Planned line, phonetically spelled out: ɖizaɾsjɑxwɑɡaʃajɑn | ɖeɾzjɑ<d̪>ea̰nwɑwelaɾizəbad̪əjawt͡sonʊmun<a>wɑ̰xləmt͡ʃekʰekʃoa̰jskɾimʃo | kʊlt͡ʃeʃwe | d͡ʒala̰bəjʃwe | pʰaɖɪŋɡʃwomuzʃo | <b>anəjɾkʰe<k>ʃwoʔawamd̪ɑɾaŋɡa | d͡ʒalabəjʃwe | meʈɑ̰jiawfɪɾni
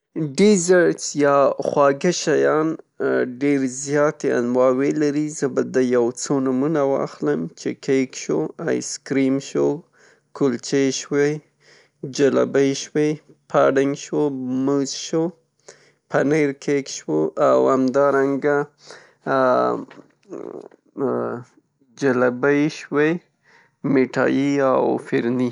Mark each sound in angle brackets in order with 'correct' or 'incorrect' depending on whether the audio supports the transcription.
incorrect: t̪, correct, incorrect: p, correct

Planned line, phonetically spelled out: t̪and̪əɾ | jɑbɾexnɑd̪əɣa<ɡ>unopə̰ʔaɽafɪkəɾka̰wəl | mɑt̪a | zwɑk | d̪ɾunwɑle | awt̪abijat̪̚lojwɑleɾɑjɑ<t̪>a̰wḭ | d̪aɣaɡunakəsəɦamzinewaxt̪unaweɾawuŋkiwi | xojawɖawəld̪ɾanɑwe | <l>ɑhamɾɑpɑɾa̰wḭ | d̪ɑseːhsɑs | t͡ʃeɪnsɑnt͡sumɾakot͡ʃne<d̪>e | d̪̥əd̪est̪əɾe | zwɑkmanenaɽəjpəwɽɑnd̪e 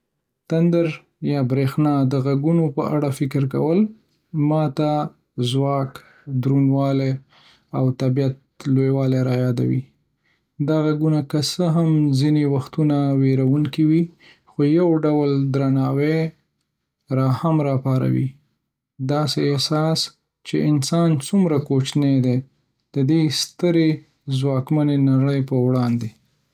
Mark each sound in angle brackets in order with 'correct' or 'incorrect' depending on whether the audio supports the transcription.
correct, incorrect: d̪, incorrect: ɾ, correct

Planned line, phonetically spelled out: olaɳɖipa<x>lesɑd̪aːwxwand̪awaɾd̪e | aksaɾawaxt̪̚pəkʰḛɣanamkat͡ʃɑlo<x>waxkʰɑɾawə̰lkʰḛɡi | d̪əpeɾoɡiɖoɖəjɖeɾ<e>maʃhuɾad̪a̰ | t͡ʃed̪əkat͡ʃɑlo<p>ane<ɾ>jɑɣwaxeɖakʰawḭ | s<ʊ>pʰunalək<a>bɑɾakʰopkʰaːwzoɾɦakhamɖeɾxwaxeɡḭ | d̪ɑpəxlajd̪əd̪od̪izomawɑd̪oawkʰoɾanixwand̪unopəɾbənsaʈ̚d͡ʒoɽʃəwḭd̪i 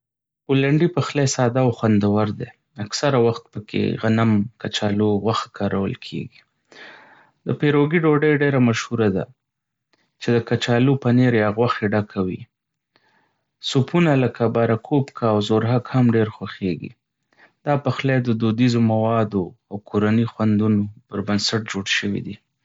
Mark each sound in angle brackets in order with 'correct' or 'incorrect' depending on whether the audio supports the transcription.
correct, incorrect: ɣ, incorrect: a, correct, correct, incorrect: u, correct

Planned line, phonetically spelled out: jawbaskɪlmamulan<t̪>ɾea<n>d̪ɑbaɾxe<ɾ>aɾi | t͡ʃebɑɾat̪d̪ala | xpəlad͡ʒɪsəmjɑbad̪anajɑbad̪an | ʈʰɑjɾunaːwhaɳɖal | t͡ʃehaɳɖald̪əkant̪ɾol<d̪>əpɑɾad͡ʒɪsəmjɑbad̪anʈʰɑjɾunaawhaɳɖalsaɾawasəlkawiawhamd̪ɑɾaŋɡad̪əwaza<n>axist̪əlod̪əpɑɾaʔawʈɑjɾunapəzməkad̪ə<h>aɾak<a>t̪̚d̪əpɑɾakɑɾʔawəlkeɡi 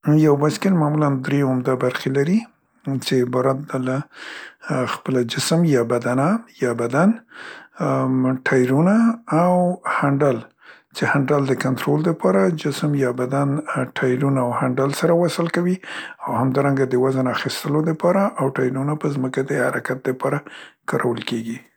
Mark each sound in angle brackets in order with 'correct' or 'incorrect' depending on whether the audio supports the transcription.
incorrect: d̪, incorrect: m, incorrect: l, correct, correct, correct, correct

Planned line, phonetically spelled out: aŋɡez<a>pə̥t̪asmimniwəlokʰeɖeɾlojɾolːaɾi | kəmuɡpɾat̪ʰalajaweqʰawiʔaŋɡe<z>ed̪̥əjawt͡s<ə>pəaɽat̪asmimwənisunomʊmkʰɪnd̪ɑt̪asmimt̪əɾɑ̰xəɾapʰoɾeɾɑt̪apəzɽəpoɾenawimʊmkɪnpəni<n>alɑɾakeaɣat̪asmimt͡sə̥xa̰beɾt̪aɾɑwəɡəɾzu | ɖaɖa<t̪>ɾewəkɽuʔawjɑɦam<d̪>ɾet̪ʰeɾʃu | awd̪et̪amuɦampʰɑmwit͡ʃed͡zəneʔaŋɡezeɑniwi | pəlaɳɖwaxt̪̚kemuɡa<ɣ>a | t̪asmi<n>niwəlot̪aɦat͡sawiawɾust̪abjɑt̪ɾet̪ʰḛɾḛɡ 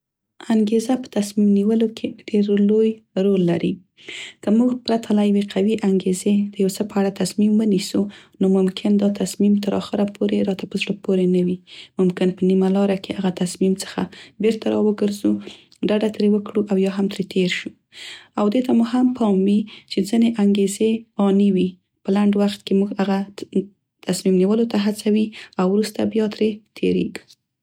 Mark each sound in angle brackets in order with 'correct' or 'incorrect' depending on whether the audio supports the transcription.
correct, correct, correct, incorrect: m, correct, incorrect: t̪, correct, incorrect: m

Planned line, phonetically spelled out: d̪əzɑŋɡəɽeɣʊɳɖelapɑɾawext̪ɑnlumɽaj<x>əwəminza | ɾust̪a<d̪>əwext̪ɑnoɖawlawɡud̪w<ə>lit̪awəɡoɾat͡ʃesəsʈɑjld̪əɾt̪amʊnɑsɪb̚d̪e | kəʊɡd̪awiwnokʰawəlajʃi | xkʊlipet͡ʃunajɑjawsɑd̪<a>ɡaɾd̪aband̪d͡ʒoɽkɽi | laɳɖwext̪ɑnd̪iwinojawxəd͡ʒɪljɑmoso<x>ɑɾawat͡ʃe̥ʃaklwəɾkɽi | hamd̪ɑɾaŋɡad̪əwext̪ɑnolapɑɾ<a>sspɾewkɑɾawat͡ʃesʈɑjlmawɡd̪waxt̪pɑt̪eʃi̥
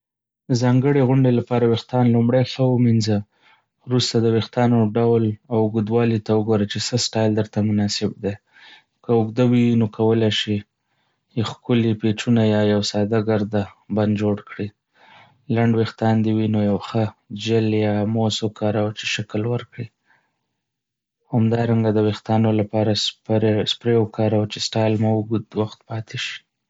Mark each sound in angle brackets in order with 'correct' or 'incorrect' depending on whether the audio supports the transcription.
correct, correct, incorrect: ɑ, correct, incorrect: k, correct

